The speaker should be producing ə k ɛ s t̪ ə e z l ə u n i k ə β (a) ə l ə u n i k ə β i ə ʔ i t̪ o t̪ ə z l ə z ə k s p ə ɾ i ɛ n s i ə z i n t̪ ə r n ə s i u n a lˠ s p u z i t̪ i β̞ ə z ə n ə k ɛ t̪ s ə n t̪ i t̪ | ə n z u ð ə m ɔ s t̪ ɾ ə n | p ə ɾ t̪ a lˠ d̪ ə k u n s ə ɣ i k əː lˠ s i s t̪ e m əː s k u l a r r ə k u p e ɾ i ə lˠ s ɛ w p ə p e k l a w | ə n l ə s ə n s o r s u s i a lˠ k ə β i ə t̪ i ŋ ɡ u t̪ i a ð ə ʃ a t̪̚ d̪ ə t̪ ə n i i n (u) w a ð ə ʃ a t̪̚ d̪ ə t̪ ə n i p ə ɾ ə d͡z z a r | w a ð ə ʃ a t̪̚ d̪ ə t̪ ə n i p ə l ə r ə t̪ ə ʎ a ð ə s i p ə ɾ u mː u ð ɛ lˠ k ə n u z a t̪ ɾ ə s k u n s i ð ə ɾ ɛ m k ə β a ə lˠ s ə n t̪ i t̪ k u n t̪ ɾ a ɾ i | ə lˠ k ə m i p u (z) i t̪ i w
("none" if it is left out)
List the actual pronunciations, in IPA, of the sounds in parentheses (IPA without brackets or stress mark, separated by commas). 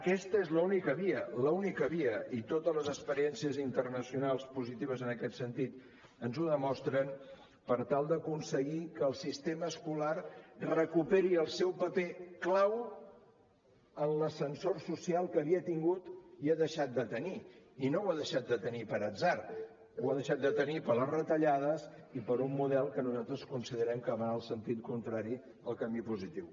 i, o, z